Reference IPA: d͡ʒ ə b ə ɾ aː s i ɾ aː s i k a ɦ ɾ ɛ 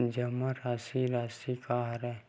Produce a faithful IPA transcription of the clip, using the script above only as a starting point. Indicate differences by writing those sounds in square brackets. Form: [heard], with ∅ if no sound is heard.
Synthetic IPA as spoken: d͡ʒ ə [m] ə ɾ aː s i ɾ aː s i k a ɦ ɾ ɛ